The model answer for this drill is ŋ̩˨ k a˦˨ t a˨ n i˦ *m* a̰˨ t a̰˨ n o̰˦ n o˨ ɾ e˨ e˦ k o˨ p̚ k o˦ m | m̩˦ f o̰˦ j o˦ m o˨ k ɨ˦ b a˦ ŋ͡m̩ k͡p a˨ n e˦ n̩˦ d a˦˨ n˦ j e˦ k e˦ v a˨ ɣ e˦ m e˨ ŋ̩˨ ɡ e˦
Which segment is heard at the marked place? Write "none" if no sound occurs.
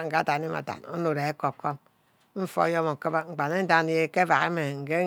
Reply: m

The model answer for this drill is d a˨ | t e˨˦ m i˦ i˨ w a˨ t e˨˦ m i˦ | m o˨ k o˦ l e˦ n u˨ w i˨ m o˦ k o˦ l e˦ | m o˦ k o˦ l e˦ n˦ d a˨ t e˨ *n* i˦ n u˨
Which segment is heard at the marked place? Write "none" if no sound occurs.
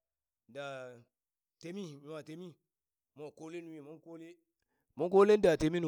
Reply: m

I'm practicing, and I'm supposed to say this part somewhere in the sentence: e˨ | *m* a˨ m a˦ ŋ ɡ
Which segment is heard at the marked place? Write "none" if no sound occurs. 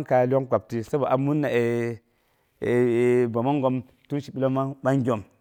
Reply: b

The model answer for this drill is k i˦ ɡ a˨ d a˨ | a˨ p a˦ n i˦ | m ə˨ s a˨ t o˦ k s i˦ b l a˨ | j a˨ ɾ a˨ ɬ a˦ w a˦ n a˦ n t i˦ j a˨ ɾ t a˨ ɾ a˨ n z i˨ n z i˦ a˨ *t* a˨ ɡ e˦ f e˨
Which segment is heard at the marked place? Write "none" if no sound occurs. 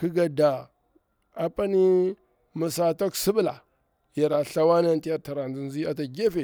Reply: t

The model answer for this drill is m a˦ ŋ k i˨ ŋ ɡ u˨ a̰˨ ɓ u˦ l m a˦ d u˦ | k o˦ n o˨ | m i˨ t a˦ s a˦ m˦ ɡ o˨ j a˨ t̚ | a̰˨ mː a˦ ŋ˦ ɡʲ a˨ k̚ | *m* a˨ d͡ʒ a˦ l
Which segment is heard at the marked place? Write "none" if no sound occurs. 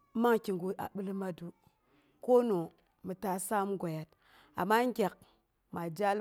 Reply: m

